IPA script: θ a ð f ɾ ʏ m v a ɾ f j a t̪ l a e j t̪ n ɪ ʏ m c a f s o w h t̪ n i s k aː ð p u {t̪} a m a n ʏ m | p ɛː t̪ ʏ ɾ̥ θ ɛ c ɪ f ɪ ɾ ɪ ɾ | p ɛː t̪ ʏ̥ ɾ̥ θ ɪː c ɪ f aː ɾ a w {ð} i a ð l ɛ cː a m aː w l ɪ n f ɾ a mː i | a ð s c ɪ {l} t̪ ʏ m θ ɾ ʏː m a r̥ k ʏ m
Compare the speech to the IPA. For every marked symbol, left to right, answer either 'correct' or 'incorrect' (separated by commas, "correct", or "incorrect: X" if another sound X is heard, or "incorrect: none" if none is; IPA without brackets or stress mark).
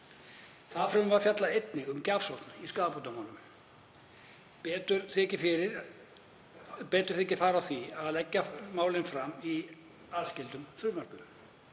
correct, incorrect: θ, correct